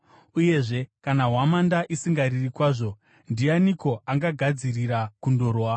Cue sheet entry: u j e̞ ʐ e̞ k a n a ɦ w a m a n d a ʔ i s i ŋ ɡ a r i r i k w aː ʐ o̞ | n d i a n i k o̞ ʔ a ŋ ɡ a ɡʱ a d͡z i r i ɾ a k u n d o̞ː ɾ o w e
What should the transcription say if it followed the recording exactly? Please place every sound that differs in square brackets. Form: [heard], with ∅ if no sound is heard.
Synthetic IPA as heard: u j e̞ ʐ e̞ k a n a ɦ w a m a n d a ʔ i s i ŋ ɡ a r i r i k w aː ʐ o̞ | n d i a n i k o̞ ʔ a ŋ ɡ a ɡʱ a d͡z i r i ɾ a k u n d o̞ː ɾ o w [a]